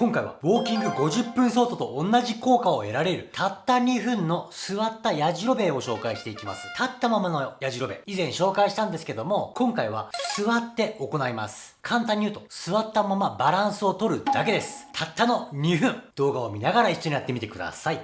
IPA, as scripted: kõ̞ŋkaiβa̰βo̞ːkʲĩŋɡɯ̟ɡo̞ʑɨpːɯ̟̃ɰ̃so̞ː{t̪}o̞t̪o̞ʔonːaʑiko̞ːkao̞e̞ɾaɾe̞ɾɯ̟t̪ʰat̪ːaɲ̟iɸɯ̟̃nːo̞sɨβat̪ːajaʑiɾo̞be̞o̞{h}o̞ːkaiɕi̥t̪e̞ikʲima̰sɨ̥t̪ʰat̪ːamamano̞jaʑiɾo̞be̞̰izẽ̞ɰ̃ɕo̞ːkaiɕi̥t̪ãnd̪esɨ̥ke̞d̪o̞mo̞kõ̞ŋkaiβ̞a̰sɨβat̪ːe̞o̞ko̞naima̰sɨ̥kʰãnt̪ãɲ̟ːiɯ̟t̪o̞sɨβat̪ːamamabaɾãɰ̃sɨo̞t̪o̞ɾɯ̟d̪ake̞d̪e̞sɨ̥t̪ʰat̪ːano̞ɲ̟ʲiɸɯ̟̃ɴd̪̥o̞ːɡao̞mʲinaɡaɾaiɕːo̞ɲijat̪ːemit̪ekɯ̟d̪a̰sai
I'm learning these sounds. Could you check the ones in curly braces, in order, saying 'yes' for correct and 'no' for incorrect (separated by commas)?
yes, no